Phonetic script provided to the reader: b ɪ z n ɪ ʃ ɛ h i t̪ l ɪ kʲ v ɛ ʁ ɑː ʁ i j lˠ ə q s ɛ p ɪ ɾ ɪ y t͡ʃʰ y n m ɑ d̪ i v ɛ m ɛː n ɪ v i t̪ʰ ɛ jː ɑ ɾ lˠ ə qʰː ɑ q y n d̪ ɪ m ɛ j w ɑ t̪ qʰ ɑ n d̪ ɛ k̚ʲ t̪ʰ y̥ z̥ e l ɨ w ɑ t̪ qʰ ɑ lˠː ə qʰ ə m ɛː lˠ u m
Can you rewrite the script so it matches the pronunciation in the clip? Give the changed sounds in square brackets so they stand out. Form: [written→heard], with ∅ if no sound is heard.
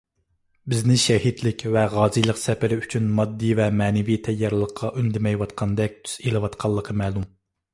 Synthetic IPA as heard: b ɪ z n ɪ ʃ ɛ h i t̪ l ɪ kʲ v ɛ ʁ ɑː [ʁ→z] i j lˠ ə q s ɛ p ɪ ɾ ɪ y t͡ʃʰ y n m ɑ [d̪→d̪ː] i v ɛ m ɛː n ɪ v i t̪ʰ ɛ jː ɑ ɾ lˠ ə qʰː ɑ [q→ʔ] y n d̪ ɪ m ɛ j w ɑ t̪ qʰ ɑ n d̪ ɛ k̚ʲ t̪ʰ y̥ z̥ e l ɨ w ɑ t̪ qʰ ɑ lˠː ə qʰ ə m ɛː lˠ u m

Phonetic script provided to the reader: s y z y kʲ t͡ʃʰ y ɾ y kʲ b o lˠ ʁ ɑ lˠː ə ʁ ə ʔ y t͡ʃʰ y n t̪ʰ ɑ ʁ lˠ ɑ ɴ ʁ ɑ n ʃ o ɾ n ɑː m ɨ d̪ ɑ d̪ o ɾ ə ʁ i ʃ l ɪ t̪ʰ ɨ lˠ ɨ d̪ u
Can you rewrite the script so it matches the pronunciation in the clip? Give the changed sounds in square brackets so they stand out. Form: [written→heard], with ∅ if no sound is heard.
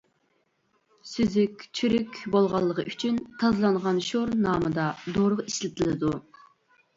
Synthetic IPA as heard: s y z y kʲ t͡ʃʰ y ɾ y kʲ b o lˠ ʁ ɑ lˠː ə ʁ ə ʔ y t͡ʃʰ y n t̪ʰ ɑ [ʁ→z] lˠ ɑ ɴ ʁ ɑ n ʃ o ɾ n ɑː m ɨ d̪ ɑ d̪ o ɾ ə ʁ i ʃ l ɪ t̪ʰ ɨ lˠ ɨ d̪ u

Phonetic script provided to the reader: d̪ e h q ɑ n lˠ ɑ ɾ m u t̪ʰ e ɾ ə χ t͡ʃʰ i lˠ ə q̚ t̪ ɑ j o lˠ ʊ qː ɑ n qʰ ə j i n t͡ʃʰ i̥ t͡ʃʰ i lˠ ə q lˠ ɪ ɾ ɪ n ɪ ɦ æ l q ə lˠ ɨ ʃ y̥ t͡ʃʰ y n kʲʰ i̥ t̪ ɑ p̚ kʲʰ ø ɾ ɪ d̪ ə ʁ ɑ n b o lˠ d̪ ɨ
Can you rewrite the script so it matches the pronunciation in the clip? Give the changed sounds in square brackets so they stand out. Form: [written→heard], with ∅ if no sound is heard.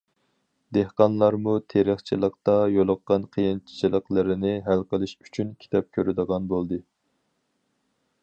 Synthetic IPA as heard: d̪ e h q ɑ n lˠ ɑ ɾ m u t̪ʰ e ɾ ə χ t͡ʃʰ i lˠ ə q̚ t̪ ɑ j o lˠ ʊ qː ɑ n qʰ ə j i n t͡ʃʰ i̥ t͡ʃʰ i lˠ ə q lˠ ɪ ɾ ɪ n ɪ ɦ æ l q ə lˠ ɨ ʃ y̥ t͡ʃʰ y n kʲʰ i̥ t̪ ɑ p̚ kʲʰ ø ɾ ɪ d̪ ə ʁ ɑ n b o lˠ d̪ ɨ

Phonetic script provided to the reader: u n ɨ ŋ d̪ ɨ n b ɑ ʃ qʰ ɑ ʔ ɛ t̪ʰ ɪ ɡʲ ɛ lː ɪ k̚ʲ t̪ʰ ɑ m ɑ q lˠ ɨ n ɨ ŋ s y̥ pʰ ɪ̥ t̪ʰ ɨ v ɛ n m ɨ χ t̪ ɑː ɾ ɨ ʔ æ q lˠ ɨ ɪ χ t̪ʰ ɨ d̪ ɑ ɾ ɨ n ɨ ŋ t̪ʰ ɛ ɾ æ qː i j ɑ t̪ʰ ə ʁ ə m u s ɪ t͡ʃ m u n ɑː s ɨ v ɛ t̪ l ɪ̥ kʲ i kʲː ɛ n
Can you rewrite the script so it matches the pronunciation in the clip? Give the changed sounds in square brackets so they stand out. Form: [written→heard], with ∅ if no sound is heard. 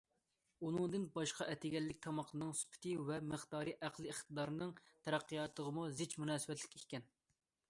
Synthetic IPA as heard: u n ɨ ŋ d̪ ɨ n b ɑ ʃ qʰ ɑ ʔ ɛ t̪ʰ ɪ ɡʲ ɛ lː ɪ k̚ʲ t̪ʰ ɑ m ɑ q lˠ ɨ n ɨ ŋ s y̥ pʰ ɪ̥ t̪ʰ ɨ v ɛ [n→∅] m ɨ χ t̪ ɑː ɾ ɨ ʔ æ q lˠ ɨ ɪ χ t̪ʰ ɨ d̪ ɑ ɾ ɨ n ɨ ŋ t̪ʰ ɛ ɾ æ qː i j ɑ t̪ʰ ə ʁ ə m u [s→z] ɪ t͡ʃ m u n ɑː s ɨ [v→b] ɛ t̪ l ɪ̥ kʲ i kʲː ɛ n

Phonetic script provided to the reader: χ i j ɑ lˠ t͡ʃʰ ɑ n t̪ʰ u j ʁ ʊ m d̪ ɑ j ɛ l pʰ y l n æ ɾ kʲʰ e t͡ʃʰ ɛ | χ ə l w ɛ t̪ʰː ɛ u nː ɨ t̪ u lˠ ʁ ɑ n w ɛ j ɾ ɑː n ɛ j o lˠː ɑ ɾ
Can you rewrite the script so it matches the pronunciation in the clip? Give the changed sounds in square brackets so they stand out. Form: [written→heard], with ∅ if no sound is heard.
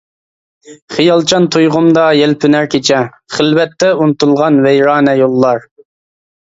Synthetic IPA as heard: χ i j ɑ lˠ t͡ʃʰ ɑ n t̪ʰ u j ʁ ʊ m d̪ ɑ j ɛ l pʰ y [l→∅] n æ ɾ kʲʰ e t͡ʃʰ ɛ | χ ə l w ɛ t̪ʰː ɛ u [nː→n] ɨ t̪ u lˠ ʁ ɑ n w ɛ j ɾ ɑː n ɛ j o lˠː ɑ ɾ

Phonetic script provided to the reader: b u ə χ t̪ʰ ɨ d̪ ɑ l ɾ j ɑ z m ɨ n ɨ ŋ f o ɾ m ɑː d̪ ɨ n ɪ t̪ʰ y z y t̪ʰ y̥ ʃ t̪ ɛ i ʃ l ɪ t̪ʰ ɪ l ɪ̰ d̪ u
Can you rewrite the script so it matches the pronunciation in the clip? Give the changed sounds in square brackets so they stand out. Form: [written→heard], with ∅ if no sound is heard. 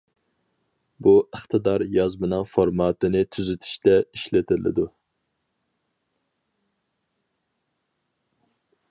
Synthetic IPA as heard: b u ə χ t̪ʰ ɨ d̪ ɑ [l→∅] ɾ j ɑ z m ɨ n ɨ ŋ f o ɾ m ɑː [d̪→t̪] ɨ n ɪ t̪ʰ y z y t̪ʰ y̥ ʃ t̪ ɛ i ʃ l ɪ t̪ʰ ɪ l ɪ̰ d̪ u

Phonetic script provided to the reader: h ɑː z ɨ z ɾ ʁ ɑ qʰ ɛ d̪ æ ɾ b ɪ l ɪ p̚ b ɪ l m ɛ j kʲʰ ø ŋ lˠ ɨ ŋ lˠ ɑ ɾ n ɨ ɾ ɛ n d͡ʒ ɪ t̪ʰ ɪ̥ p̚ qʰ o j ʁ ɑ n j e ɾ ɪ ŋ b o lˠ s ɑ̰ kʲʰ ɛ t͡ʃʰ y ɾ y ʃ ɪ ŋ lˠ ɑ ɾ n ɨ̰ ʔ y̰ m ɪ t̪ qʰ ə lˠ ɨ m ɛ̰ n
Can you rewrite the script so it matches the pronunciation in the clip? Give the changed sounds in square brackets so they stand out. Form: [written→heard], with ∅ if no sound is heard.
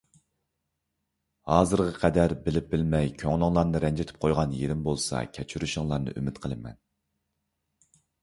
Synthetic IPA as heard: h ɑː z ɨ [z→∅] ɾ ʁ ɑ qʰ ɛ d̪ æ ɾ b ɪ l ɪ p̚ b ɪ l m ɛ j kʲʰ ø ŋ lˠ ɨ ŋ lˠ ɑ ɾ n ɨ ɾ ɛ n d͡ʒ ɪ t̪ʰ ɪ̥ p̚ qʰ o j ʁ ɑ n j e ɾ ɪ [ŋ→m] b o lˠ s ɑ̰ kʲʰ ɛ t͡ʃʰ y ɾ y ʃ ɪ ŋ lˠ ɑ ɾ n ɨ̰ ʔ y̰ m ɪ t̪ qʰ ə lˠ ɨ m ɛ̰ n

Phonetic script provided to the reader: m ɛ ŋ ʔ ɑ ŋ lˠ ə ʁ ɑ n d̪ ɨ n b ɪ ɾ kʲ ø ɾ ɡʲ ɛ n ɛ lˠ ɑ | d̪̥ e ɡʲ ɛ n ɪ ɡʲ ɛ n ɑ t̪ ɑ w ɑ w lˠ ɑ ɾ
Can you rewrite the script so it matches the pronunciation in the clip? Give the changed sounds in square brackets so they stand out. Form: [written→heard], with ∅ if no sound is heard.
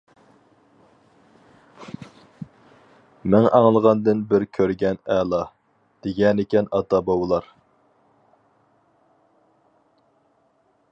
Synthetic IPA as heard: m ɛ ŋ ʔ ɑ ŋ lˠ ə ʁ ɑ n d̪ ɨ n b ɪ ɾ [kʲ→kʲʰ] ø ɾ ɡʲ ɛ n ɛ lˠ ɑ | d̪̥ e ɡʲ ɛ n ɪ [ɡʲ→kʲ] ɛ n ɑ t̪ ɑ [w→b] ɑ w lˠ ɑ ɾ

